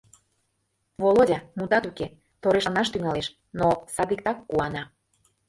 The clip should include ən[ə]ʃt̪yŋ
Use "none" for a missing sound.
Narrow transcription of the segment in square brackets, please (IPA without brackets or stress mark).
ɑ